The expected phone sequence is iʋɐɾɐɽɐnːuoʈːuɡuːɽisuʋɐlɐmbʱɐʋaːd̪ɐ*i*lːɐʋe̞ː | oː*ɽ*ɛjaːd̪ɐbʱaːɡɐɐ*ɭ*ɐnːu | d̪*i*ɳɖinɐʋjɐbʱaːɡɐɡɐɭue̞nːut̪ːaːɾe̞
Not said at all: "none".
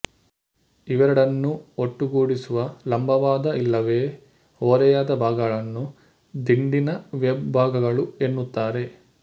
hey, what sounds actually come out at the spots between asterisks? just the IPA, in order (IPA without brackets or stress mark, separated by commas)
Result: i, ɾ, ɭ, i